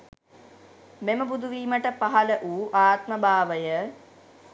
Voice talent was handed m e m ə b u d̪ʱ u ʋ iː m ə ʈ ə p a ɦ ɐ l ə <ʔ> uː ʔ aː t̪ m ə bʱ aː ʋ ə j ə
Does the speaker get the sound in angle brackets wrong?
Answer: no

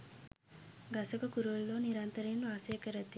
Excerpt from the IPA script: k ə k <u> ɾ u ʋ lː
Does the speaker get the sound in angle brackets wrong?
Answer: no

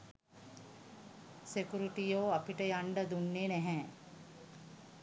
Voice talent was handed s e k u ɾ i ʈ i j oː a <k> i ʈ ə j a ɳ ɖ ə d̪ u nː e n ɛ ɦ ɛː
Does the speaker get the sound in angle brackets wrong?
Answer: yes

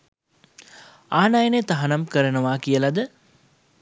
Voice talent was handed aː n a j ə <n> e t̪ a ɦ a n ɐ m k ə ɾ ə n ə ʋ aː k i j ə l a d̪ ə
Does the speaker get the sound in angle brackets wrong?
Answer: no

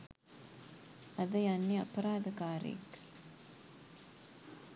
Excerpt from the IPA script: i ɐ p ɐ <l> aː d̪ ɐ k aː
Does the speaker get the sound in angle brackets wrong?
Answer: yes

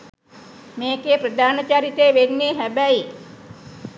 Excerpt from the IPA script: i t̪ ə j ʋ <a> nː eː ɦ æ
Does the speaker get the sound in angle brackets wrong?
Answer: yes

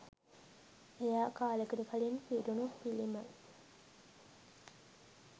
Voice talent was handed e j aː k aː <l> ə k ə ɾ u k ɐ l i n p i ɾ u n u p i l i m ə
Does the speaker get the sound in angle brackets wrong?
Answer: no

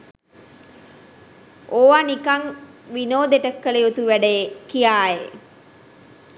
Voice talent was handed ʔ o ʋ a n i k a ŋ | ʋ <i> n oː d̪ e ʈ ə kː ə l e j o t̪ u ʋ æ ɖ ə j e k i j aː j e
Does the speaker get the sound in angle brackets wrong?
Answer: no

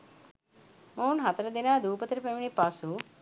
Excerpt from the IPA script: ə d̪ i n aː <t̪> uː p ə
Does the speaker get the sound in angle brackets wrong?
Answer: yes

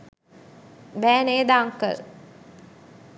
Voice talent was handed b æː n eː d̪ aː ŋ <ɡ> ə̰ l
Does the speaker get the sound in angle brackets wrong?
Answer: yes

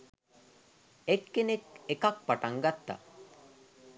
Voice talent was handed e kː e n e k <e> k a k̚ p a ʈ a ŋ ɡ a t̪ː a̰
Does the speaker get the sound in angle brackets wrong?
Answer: no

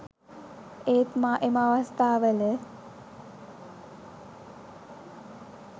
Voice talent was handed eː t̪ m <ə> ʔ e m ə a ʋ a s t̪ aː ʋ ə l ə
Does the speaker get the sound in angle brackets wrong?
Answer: yes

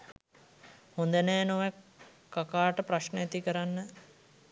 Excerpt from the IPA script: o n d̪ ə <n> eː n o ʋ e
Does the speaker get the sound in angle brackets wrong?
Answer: no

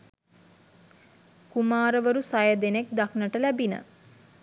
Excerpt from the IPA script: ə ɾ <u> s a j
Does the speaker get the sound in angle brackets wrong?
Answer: no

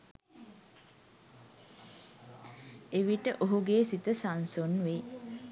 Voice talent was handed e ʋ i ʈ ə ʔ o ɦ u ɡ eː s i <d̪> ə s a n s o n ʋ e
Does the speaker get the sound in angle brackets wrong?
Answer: yes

